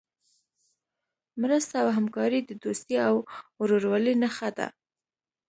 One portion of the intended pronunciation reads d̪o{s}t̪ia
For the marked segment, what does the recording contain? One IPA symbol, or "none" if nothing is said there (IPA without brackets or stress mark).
s